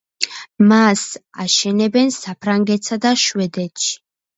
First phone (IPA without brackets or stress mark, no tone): m